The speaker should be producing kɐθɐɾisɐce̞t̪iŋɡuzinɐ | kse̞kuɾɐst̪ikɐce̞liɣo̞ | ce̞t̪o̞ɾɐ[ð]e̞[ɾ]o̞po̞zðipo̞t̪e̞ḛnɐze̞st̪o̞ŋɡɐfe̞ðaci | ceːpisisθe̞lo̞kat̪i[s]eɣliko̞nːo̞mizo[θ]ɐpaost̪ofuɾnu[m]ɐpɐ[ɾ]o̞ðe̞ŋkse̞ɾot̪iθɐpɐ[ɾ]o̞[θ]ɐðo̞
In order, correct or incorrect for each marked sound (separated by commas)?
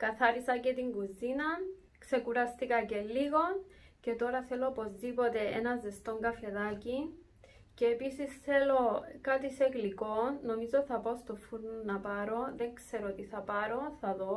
incorrect, incorrect, correct, correct, incorrect, correct, correct, correct